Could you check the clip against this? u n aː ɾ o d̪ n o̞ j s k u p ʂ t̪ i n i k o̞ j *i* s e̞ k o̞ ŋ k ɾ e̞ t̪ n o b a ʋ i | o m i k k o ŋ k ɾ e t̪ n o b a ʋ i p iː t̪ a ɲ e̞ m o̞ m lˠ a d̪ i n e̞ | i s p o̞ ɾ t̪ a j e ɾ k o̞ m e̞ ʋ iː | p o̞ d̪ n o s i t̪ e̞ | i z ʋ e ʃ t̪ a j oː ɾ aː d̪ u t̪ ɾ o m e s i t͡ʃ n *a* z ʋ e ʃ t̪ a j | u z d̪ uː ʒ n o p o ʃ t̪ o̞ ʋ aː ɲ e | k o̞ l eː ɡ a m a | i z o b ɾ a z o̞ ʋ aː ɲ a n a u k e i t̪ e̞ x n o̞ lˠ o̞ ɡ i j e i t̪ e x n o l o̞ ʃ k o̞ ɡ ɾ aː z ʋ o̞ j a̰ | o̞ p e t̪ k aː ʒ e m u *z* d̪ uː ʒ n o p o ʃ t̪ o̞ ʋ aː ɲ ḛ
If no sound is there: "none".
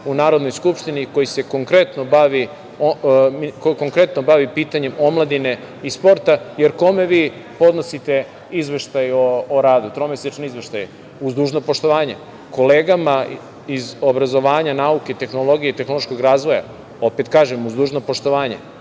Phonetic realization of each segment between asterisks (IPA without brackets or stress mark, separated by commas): i, i, z